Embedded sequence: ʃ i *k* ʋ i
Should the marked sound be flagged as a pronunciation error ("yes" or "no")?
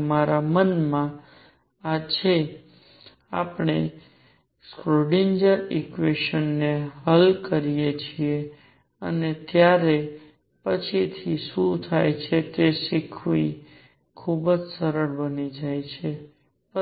yes